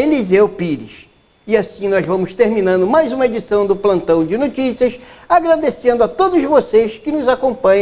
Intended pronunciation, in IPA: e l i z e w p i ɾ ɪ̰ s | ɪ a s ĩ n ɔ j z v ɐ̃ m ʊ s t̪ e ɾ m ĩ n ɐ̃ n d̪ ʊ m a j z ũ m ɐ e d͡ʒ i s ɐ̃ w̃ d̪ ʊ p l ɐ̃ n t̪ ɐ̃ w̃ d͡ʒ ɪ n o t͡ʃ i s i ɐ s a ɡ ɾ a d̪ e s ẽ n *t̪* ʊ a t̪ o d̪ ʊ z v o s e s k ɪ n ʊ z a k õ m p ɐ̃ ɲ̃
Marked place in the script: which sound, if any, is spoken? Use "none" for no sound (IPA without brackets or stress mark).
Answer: d̪